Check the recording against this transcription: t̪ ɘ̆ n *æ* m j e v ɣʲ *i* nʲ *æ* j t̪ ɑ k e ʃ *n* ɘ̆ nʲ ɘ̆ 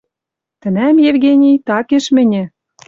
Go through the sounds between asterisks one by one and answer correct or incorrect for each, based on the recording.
correct, incorrect: e, incorrect: i, incorrect: m

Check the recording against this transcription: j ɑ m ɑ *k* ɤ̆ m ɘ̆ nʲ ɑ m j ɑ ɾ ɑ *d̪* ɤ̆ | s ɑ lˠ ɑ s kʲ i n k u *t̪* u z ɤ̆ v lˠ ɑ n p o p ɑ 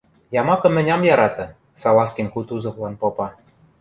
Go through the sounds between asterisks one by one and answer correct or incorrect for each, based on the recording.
correct, incorrect: t̪, correct

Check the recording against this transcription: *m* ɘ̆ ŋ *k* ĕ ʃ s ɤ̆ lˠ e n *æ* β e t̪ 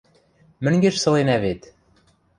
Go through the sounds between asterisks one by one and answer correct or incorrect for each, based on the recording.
correct, incorrect: ɡ, correct

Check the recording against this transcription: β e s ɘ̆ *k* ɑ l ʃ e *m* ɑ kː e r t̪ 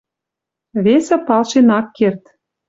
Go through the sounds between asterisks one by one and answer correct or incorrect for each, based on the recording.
incorrect: p, incorrect: n

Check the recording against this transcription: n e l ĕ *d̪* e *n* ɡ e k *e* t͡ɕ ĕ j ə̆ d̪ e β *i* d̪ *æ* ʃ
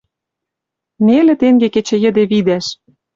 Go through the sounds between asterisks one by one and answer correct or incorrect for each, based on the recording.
incorrect: t̪, incorrect: ŋ, correct, correct, correct

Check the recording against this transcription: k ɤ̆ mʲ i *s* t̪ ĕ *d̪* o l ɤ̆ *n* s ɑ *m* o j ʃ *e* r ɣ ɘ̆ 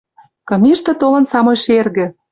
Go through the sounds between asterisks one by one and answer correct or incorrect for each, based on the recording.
incorrect: ʃ, incorrect: t̪, correct, correct, correct

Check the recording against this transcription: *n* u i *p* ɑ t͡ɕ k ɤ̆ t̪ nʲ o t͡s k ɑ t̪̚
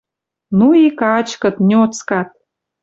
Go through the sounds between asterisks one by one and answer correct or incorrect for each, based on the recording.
correct, incorrect: k

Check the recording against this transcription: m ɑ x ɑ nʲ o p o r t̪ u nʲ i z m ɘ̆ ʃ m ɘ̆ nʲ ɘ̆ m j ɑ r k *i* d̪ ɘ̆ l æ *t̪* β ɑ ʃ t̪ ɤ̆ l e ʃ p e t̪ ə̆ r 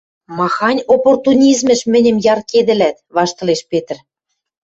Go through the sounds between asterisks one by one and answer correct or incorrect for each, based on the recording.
incorrect: e, correct

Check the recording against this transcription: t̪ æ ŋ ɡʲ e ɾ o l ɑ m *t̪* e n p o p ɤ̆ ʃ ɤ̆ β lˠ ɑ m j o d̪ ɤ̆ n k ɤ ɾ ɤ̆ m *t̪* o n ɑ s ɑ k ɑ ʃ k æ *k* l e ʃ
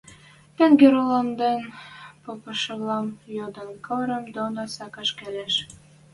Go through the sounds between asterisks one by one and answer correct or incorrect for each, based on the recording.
incorrect: d̪, incorrect: d̪, incorrect: none

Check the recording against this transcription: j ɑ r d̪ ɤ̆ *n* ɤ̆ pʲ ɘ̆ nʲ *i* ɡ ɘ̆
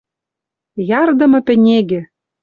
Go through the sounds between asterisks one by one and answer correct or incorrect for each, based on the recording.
incorrect: m, incorrect: e

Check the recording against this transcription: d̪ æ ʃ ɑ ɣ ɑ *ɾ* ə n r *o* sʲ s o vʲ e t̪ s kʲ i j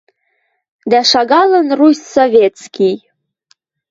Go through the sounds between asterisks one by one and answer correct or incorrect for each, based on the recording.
incorrect: l, incorrect: u

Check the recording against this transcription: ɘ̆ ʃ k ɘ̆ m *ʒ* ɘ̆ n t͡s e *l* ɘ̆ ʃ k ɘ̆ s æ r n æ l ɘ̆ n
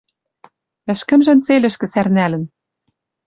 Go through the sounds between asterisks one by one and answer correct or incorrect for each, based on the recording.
correct, correct

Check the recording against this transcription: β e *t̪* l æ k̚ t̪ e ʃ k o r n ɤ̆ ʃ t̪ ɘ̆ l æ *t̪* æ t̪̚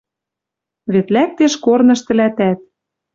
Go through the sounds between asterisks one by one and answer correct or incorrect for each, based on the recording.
correct, correct

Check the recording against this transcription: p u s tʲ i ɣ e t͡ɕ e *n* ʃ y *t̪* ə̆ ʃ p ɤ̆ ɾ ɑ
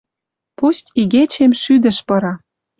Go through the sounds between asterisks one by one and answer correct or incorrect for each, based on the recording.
incorrect: m, incorrect: d̪

